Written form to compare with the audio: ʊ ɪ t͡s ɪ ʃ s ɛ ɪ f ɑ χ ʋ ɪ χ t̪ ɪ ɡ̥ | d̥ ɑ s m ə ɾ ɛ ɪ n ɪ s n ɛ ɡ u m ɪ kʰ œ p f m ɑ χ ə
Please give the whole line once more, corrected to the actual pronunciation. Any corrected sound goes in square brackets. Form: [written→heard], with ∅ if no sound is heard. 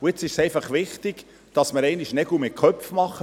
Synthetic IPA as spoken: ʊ ɪ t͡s ɪ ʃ s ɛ ɪ f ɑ χ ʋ ɪ χ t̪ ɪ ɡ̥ | d̥ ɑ s m ə ɾ ɛ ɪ n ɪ [s→ʃ] n ɛ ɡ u m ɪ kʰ œ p f m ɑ χ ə